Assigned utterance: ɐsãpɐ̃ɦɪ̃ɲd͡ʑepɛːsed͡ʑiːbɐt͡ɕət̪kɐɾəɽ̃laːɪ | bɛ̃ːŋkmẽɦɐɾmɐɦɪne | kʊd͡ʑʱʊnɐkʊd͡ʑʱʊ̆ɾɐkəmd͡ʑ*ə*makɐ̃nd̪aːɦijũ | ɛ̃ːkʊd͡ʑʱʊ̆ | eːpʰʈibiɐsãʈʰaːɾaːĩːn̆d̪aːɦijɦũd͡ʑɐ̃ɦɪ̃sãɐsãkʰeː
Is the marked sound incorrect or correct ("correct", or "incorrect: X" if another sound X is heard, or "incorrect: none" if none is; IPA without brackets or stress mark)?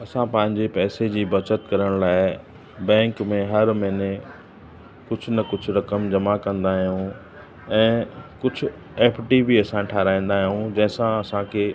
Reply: incorrect: ɐ